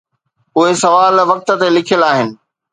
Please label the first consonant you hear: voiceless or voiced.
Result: voiced